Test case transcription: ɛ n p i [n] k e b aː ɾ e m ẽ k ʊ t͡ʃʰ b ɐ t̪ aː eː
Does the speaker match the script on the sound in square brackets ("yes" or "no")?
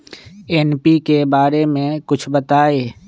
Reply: no